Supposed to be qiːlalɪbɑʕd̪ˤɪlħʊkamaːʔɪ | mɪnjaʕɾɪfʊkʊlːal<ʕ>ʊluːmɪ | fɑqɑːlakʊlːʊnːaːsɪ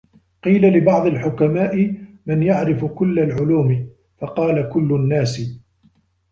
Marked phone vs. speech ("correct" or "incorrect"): correct